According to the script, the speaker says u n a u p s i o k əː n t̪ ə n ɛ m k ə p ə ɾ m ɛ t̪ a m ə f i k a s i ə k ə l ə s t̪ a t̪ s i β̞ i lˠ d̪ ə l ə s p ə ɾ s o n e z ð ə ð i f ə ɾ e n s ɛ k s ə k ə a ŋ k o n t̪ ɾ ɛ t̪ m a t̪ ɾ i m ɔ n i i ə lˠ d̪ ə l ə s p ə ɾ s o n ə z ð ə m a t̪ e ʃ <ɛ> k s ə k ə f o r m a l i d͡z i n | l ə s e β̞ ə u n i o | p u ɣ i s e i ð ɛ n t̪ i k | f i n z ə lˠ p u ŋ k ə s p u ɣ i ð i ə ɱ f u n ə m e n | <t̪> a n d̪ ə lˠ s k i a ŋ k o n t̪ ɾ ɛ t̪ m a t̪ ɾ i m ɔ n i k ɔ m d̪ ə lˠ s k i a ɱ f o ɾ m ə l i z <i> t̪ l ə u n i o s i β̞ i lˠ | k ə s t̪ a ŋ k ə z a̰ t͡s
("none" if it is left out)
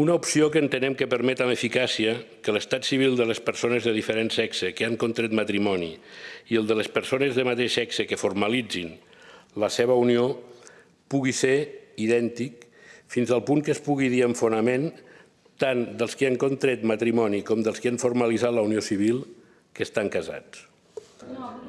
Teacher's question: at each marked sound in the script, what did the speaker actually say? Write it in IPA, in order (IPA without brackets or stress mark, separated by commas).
ɛ, t̪, a